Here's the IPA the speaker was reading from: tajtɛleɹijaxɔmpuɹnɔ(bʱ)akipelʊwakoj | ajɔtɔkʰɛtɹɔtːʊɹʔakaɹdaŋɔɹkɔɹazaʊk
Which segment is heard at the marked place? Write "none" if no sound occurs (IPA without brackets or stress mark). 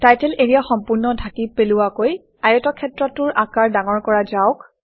dʱ